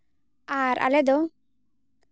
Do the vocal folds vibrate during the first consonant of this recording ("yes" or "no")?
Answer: yes